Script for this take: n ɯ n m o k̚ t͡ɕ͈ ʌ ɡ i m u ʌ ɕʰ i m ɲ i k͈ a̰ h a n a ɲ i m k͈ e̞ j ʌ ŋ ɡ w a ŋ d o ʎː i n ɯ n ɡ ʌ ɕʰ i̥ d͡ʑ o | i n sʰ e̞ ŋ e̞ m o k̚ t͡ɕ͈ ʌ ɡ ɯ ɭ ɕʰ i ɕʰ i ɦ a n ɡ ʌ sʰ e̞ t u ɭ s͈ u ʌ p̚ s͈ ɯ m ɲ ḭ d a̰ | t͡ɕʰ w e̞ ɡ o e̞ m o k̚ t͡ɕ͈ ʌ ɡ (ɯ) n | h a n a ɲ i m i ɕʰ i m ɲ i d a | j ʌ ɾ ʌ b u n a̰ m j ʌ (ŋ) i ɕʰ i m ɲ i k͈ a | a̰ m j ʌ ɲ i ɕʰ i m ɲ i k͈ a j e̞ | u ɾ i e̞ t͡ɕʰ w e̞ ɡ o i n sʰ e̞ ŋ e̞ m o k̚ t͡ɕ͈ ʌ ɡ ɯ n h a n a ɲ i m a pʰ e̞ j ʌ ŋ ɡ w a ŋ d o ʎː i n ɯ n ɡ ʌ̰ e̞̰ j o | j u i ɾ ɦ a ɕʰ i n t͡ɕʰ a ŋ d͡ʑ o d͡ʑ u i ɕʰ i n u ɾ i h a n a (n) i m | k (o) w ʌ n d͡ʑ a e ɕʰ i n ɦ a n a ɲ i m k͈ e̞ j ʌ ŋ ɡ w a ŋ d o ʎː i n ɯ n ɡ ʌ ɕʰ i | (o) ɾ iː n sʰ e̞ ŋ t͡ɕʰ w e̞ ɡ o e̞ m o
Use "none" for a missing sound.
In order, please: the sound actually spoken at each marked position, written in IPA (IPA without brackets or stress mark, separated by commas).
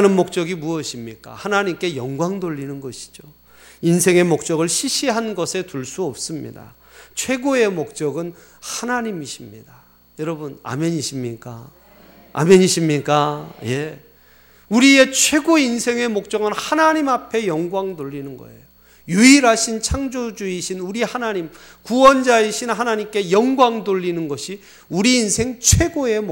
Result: ɯ, ɲ, ɲ, u, u